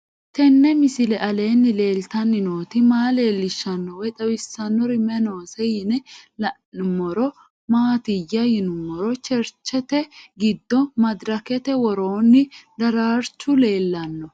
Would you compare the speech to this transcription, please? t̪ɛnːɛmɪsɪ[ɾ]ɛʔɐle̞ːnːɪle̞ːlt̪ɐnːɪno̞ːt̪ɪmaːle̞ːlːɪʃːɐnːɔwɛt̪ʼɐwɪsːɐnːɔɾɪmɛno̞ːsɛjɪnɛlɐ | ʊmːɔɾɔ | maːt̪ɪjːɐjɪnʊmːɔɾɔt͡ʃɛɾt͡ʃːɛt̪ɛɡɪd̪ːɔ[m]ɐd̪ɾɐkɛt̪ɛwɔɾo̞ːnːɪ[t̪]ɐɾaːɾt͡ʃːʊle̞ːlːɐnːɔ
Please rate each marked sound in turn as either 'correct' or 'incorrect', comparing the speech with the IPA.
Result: incorrect, correct, incorrect

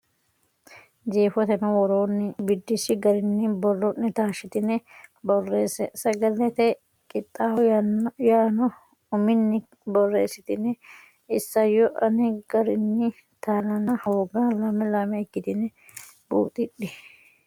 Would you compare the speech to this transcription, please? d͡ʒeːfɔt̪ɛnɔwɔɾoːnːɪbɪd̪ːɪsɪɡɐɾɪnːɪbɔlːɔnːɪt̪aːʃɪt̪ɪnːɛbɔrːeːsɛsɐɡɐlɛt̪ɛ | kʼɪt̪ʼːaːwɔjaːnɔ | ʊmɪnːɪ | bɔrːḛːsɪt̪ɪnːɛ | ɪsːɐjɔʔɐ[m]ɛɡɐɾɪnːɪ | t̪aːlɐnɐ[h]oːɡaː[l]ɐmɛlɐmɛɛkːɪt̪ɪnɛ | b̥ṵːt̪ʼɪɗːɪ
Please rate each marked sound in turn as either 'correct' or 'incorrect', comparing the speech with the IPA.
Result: incorrect, correct, correct

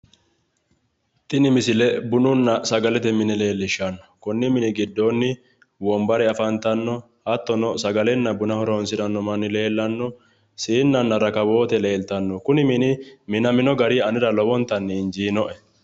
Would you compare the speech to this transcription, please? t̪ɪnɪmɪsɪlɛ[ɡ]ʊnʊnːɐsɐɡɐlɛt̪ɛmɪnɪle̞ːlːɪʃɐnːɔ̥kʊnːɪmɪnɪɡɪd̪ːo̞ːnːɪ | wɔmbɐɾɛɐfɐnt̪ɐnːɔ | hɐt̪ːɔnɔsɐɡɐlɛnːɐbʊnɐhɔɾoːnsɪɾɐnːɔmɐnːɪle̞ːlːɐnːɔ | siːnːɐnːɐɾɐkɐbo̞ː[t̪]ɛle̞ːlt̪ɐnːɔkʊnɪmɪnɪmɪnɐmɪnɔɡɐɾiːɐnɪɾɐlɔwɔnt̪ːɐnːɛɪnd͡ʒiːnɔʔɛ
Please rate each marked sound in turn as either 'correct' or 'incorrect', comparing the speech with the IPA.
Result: incorrect, correct

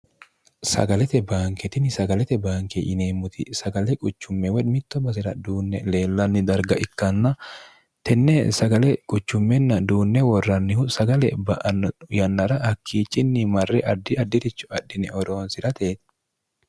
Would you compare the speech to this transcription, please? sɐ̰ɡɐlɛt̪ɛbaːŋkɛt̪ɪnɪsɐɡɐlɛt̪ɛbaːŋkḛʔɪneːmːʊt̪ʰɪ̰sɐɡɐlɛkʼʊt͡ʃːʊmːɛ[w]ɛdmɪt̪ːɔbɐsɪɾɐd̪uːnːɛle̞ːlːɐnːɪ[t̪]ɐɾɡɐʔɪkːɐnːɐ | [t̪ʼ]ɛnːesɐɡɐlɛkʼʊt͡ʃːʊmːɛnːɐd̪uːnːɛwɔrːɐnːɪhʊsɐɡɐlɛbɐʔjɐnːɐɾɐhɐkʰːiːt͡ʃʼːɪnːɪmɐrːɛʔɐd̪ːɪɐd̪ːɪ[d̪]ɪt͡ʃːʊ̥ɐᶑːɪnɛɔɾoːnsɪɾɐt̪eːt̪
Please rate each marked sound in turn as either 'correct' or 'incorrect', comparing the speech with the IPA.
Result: correct, incorrect, incorrect, incorrect

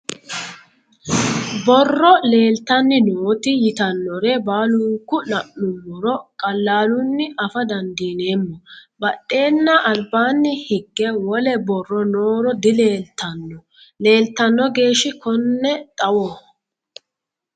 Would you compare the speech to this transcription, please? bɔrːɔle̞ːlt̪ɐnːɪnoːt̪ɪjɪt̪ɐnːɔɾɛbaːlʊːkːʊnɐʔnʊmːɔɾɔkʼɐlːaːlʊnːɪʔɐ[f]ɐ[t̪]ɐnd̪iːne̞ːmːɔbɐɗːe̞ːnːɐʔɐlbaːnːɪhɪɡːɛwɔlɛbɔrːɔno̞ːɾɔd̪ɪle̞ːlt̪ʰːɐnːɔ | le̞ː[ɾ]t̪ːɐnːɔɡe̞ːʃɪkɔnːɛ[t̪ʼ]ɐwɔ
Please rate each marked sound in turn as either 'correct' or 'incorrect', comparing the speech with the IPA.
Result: correct, incorrect, incorrect, correct

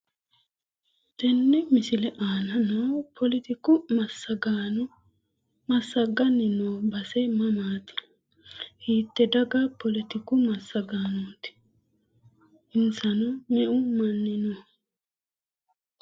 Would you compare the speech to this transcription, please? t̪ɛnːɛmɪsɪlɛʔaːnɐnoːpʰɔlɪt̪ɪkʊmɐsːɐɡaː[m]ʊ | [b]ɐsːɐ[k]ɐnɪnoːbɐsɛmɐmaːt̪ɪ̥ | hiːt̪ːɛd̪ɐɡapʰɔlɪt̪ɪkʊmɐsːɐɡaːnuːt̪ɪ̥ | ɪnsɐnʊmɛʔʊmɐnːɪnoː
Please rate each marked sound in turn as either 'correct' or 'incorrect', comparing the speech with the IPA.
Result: incorrect, incorrect, incorrect

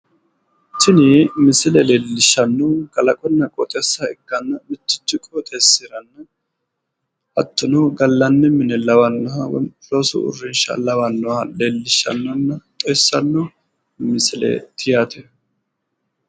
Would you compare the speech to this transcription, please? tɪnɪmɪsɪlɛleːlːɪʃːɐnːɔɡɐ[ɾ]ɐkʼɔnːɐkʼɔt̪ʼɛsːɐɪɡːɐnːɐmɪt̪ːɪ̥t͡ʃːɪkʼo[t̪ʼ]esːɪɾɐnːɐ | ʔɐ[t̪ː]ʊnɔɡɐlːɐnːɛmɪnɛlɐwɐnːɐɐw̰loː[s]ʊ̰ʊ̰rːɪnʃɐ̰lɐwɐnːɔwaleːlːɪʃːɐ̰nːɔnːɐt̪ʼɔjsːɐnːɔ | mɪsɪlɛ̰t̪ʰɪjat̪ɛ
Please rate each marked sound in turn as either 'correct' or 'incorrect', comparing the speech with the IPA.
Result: incorrect, correct, correct, correct

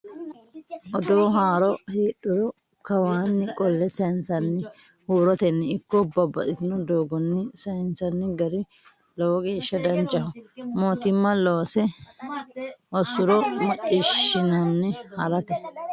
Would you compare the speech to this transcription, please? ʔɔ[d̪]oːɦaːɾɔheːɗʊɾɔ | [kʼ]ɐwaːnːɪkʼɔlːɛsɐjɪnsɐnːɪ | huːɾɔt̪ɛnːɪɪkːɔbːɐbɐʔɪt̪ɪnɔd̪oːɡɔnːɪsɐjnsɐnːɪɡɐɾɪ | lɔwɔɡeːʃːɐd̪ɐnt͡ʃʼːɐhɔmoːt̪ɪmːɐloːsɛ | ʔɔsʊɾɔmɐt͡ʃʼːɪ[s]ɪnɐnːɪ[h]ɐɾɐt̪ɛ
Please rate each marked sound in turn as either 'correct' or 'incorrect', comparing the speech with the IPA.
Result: correct, incorrect, incorrect, correct

